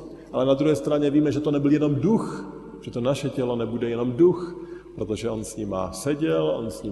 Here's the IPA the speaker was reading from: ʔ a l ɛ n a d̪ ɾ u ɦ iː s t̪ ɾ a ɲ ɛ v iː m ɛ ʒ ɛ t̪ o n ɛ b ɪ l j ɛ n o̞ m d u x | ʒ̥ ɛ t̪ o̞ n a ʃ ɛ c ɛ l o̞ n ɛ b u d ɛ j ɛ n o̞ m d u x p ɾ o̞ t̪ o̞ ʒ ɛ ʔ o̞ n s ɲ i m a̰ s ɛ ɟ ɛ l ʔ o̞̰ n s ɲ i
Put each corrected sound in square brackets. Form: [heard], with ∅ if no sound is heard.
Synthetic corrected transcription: ʔ a l ɛ n a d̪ ɾ u ɦ [ɛː] s t̪ ɾ a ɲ ɛ v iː m ɛ ʒ ɛ t̪ o n ɛ b ɪ l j ɛ n o̞ m d u x | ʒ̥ ɛ t̪ o̞ n a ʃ ɛ c ɛ l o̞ n ɛ b u d ɛ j ɛ n o̞ m d u x p ɾ o̞ t̪ o̞ ʒ ɛ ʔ o̞ n s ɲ i m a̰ s ɛ ɟ ɛ l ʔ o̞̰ n s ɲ i